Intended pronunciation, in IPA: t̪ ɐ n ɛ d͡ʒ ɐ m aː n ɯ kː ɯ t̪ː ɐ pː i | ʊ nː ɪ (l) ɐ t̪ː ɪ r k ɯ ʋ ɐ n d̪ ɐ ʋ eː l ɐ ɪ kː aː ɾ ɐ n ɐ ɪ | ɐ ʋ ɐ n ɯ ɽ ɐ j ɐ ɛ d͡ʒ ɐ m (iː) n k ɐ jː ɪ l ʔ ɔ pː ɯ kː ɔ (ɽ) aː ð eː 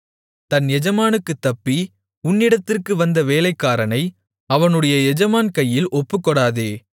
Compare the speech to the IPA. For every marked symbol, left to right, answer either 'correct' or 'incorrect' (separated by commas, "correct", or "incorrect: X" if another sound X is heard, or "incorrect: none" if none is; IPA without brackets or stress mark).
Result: incorrect: ɽ, incorrect: aː, correct